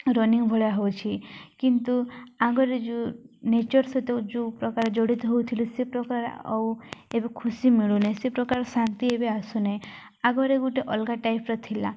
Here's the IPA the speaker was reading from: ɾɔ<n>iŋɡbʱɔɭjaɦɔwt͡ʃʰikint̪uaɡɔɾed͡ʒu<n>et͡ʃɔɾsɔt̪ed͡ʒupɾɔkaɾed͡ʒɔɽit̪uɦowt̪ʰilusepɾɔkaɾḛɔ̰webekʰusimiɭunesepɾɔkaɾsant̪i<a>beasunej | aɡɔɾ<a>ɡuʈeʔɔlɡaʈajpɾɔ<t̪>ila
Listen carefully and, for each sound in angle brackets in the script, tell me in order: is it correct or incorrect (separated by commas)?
correct, correct, incorrect, incorrect, incorrect